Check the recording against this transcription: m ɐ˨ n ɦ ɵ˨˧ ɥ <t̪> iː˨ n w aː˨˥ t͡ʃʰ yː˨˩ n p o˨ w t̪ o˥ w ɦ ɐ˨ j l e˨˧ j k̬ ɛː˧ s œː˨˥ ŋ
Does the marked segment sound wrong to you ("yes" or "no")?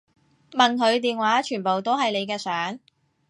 no